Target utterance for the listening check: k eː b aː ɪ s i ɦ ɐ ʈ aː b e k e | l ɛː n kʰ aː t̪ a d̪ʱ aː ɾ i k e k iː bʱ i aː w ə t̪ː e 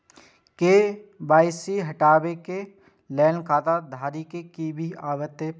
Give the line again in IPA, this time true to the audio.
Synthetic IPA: k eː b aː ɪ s i ɦ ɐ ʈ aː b e k e | l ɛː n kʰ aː t̪ a d̪ʱ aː ɾ i k e k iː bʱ i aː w ə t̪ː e